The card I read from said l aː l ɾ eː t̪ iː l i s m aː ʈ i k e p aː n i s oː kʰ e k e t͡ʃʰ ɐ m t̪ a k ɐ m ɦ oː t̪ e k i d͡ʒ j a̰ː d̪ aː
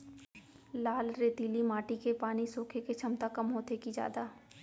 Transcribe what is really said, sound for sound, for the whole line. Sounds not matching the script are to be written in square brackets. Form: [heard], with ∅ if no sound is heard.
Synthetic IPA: l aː l ɾ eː t̪ iː l i [∅] m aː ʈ i k e p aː n i s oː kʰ e k e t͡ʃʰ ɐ m t̪ a k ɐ m ɦ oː t̪ e k i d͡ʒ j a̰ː d̪ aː